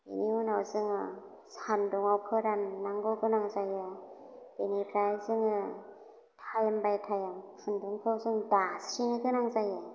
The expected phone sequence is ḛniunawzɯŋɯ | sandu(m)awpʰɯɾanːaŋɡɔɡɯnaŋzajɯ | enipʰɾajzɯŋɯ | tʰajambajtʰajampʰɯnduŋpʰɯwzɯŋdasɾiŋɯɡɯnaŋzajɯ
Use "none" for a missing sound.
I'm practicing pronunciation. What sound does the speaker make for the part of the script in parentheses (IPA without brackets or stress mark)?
ŋ